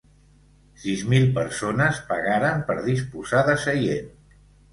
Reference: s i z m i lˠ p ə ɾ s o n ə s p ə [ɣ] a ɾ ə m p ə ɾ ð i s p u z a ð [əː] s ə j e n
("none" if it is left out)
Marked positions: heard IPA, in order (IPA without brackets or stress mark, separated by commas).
ɣ, ə